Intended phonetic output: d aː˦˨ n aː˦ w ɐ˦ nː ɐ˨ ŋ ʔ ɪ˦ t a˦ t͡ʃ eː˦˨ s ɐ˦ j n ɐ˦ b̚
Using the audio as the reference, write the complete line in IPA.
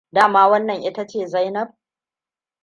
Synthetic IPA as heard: d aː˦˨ m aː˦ w ɐ˦ nː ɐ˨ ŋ ʔ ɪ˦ t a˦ t͡ʃ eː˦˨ z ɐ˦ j n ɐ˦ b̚